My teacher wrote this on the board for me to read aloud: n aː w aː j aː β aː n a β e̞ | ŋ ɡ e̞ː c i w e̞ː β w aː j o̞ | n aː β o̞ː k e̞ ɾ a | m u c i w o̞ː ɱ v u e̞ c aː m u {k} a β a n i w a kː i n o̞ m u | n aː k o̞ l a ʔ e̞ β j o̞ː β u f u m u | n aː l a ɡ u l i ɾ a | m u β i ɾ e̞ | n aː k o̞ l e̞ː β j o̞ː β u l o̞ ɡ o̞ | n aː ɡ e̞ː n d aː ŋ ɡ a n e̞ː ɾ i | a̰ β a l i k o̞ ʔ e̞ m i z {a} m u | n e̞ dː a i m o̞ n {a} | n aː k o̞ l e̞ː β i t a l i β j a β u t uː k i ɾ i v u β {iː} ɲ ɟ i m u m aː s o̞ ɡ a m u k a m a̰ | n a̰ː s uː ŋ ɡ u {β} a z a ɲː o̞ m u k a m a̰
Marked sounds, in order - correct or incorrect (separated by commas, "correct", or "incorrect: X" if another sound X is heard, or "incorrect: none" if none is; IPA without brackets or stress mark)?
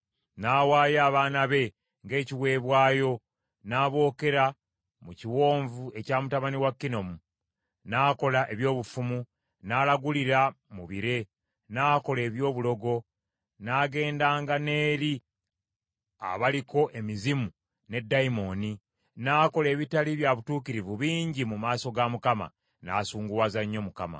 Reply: incorrect: t, incorrect: i, incorrect: i, correct, incorrect: w